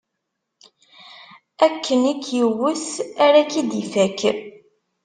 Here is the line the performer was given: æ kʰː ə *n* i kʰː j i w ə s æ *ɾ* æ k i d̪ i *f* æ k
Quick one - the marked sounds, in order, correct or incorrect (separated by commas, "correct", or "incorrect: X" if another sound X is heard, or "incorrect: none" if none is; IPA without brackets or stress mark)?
correct, correct, correct